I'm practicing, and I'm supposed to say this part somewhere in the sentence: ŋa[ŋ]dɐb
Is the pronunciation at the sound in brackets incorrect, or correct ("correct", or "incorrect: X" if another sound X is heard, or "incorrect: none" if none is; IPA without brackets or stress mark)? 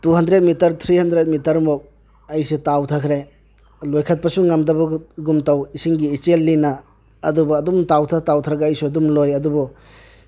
incorrect: m